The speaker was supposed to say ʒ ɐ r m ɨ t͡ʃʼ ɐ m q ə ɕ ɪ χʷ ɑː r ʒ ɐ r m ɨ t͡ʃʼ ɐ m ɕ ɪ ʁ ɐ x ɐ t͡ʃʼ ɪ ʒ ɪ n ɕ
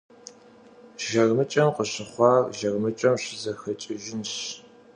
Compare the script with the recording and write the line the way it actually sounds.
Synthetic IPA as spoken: ʒ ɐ r m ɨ t͡ʃʼ ɐ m q ə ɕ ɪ χʷ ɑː r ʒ ɐ r m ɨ t͡ʃʼ ɐ m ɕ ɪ z ɐ x ɐ t͡ʃʼ ɪ ʒ ɪ n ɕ

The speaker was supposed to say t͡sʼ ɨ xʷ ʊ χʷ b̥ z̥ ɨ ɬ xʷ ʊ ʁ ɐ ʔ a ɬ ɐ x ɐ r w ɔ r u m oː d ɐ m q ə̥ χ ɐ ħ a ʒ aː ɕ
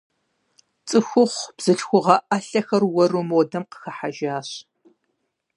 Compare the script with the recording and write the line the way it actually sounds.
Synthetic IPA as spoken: t͡sʼ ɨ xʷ ʊ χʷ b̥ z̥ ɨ ɬ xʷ ʊ ʁ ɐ ʔ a ɬ ɐ x ɐ r w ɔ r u m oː d ɐ m q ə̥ x ɐ ħ a ʒ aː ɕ

